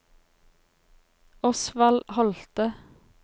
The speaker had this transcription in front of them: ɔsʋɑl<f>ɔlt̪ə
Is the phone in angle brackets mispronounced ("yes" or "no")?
yes